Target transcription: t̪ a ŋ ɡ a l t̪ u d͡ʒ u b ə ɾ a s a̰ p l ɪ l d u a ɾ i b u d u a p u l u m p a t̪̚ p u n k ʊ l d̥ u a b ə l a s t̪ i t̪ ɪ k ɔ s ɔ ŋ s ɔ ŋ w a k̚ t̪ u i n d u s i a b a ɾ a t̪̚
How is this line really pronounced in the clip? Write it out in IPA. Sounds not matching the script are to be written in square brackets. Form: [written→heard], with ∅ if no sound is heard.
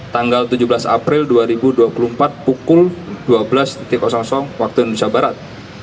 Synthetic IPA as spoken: t̪ a ŋ ɡ a l t̪ u d͡ʒ u b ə [ɾ→l] a s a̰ p [l→ɾ] ɪ l d u a ɾ i b u d u a p u l u m p a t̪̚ p u [n→∅] k ʊ l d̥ u a b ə l a s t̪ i t̪ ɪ k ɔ s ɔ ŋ s ɔ ŋ w a k̚ t̪ u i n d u s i a b a ɾ a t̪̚